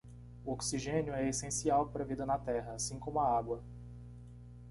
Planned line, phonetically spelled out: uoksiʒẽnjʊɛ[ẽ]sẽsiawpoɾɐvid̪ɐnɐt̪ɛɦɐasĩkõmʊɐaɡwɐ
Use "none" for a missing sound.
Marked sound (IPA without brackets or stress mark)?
e